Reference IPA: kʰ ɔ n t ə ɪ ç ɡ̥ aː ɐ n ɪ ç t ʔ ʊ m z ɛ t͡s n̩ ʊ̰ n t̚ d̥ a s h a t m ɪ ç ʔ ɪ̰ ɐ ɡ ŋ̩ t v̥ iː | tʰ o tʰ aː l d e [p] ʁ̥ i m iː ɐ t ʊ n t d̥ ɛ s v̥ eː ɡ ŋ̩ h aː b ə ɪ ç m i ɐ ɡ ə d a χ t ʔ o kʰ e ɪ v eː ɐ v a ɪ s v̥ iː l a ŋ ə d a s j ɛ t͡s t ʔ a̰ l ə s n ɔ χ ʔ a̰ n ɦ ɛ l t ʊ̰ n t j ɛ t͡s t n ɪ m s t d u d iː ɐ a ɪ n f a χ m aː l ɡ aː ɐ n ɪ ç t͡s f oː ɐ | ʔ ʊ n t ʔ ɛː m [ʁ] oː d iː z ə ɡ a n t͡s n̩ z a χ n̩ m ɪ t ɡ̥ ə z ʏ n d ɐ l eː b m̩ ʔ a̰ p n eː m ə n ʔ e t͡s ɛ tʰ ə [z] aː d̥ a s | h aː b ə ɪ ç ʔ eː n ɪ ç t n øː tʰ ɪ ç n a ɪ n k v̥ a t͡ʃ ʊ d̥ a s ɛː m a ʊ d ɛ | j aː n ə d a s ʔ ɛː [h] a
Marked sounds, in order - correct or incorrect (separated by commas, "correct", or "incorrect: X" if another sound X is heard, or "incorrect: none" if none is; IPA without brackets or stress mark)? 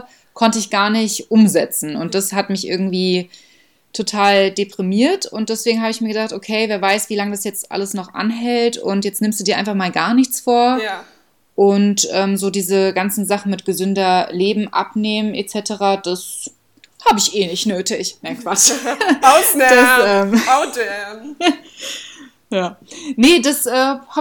correct, incorrect: z, incorrect: ʁ, correct